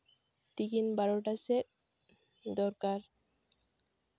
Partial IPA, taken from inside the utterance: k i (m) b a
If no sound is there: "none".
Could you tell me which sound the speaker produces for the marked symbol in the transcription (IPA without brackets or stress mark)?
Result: n